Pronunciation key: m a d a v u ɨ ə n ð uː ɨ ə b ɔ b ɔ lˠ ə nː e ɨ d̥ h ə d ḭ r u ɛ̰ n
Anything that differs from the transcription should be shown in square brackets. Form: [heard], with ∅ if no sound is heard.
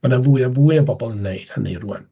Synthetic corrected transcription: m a [n] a v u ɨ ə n [v] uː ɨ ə b ɔ b ɔ lˠ ə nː e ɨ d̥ h ə [n] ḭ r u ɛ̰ n

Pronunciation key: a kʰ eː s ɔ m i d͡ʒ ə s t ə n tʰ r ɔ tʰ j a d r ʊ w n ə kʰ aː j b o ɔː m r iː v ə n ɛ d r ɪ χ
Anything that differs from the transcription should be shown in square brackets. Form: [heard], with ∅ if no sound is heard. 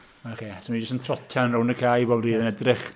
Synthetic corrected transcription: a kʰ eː s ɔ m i d͡ʒ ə s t ə n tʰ r ɔ tʰ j a [n] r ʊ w n ə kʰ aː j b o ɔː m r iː [ð] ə n ɛ d r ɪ χ

